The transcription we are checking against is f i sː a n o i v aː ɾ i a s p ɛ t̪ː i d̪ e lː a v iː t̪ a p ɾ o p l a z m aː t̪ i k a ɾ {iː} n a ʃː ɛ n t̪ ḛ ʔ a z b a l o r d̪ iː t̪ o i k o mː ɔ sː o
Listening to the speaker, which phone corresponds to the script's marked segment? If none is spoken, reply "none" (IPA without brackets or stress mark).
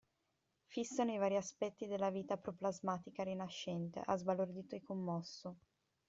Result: i